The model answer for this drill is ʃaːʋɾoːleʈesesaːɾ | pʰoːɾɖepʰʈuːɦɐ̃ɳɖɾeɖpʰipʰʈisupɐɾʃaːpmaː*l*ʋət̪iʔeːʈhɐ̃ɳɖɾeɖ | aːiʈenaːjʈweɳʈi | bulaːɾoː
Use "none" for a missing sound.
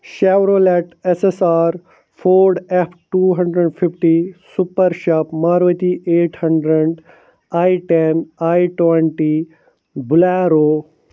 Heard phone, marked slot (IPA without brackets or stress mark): ɾ